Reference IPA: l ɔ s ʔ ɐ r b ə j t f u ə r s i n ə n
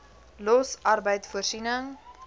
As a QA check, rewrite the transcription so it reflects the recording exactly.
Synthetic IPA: l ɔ s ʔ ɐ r b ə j t f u ə r s i n ə ŋ